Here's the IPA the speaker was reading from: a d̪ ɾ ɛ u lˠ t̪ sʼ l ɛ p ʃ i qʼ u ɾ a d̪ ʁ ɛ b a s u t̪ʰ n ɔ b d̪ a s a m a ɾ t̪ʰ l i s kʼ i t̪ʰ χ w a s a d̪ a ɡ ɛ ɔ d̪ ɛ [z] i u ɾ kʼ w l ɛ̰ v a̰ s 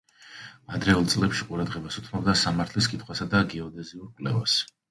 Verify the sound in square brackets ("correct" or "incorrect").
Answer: correct